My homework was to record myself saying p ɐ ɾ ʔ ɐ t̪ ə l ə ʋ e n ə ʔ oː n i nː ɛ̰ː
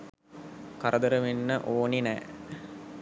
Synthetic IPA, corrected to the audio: k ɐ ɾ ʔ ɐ d̪ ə ɾ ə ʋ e nː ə ʔ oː n i n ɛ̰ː